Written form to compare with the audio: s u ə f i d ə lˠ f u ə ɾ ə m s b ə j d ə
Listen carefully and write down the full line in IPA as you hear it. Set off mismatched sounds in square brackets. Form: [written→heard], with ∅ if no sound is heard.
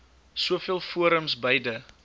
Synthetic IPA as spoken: s u ə f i [d→∅] ə lˠ f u ə ɾ ə m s b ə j d ə